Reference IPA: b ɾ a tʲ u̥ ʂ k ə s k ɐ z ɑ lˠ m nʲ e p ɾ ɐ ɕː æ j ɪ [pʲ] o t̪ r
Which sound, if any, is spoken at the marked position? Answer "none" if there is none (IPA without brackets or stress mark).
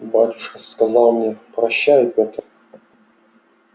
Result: pʲ